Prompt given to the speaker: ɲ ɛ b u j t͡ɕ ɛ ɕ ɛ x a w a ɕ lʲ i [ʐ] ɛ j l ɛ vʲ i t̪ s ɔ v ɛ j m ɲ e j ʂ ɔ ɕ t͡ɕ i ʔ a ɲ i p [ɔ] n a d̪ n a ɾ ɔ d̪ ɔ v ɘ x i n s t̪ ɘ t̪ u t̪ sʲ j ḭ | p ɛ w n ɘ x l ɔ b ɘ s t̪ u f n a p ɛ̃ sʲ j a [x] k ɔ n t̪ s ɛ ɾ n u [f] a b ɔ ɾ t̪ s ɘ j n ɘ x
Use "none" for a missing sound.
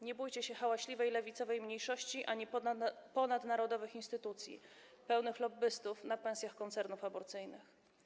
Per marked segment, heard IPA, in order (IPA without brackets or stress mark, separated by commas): v, ɔ, x, f